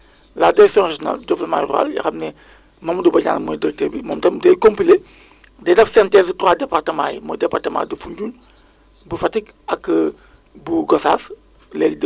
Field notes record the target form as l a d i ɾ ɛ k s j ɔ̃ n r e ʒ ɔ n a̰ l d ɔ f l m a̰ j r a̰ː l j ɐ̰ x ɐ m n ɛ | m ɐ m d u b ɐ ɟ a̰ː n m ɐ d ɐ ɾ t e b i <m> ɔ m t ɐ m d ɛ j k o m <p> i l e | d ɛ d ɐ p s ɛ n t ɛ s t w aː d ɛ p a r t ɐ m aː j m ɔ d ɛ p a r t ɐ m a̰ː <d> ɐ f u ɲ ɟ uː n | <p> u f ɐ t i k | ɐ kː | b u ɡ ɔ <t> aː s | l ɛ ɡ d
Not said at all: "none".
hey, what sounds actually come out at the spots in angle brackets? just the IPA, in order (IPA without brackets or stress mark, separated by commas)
m, p, d, b, s